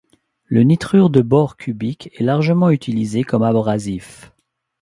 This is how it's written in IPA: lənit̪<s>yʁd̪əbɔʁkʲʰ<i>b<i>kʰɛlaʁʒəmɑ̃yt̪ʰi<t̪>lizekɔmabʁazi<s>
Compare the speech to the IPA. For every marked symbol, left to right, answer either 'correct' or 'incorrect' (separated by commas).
incorrect, incorrect, correct, incorrect, incorrect